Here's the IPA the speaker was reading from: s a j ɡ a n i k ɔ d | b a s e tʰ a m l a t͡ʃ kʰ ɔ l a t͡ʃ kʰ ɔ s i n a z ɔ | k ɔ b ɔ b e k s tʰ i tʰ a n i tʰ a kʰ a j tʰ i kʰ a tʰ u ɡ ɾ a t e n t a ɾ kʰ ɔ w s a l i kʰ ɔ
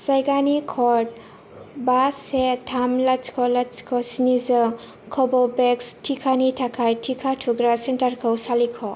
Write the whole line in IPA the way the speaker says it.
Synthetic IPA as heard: s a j ɡ a n i kʰ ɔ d | b a s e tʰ a m l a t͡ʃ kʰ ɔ l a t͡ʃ kʰ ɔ s i n i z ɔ | kʰ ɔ b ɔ b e k s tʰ i kʰ a n i tʰ a kʰ a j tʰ i kʰ a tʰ u ɡ ɾ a s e n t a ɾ kʰ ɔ w s a l i kʰ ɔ